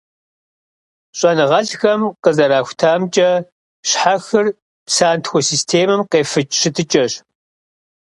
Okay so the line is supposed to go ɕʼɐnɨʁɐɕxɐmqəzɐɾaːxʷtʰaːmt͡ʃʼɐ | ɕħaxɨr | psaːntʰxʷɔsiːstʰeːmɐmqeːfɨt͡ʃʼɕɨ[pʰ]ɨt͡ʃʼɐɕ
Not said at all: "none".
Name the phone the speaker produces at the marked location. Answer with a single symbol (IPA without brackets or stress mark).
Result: tʰ